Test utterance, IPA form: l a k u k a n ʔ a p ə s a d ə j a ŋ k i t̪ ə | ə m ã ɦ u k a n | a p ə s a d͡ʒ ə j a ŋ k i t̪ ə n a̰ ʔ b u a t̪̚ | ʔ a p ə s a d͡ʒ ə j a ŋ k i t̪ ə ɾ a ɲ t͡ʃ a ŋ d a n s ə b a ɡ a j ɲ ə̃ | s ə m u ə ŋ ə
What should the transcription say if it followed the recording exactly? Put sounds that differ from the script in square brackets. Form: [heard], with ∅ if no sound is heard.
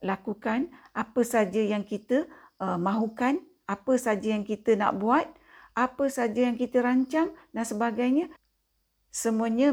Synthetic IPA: l a k u k a n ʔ a p ə s a [d͡ʒ] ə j a ŋ k i t̪ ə | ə m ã ɦ u k a n | a p ə s a d͡ʒ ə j a ŋ k i t̪ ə n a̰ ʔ b u a t̪̚ | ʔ a p ə s a d͡ʒ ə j a ŋ k i t̪ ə ɾ a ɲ t͡ʃ a ŋ d a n s ə b a ɡ a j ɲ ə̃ | s ə m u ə [ɲ] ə